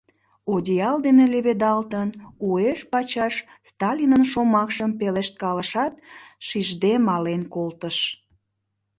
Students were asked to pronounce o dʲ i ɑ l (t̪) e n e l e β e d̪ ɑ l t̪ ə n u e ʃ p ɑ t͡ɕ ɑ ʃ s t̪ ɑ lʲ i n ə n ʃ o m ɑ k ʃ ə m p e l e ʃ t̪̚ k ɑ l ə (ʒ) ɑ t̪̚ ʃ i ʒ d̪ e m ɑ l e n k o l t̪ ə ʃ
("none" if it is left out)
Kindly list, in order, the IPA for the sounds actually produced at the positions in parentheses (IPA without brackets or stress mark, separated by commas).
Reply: d̪, ʃ